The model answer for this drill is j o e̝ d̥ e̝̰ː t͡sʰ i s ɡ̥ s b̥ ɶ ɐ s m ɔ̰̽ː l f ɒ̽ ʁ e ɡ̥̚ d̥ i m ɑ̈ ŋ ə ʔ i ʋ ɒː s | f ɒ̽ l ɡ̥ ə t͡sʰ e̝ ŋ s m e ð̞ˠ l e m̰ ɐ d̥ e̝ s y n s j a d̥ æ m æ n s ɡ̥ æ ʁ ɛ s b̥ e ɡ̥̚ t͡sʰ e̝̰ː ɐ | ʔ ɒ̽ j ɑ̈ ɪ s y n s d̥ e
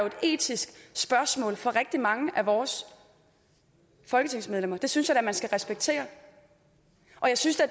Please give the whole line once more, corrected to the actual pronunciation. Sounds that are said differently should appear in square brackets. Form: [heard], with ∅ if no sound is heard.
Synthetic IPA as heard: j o e̝ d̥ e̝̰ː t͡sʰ i s ɡ̥ s b̥ ɶ ɐ s m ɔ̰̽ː l f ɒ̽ ʁ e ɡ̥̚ d̥ i m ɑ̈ ŋ ə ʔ [æ] ʋ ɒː s | f ɒ̽ l ɡ̥ ə t͡sʰ e̝ ŋ s m e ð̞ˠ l e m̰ ɐ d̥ e̝ s y n s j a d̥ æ m æ n s ɡ̥ æ ʁ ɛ s b̥ e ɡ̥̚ t͡sʰ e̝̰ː ɐ | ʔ ɒ̽ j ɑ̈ ɪ s y n s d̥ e